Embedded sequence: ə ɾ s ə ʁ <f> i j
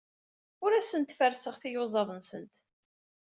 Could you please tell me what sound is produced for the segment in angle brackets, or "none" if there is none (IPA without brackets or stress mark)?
θ